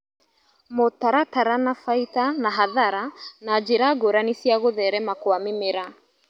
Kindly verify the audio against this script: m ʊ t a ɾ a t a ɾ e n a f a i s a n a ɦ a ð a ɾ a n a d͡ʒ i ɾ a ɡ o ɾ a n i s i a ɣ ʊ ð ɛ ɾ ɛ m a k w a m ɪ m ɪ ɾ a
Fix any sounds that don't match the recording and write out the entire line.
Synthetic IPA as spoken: m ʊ t a ɾ a t a ɾ a n a f a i t a n a ɦ a ð a ɾ a n a d͡ʒ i ɾ a ɡ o ɾ a n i s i a ɣ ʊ ð ɛ ɾ ɛ m a k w a m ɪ m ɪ ɾ a